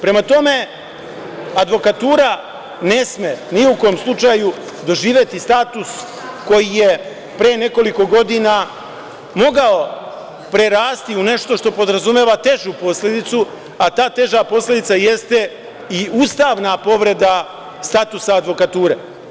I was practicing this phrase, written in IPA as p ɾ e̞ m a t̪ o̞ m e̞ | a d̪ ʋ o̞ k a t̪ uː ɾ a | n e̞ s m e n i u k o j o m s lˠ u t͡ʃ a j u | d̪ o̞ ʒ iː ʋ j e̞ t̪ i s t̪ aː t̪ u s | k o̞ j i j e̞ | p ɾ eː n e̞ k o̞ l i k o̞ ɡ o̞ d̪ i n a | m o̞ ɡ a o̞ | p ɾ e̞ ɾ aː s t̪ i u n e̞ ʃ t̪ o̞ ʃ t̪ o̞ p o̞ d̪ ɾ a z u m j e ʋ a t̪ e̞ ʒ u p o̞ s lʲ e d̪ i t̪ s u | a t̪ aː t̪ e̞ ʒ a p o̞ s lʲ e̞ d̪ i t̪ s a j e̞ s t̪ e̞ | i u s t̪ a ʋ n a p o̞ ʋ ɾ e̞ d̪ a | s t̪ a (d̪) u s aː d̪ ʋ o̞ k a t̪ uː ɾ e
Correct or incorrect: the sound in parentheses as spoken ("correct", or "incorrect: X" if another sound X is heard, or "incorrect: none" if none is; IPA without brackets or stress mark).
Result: incorrect: t̪